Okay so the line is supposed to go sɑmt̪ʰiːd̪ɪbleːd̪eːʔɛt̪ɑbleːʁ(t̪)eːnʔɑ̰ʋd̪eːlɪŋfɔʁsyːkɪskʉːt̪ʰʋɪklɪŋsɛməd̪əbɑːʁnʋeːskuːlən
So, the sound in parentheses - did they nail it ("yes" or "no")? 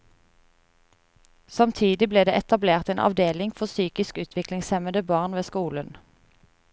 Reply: yes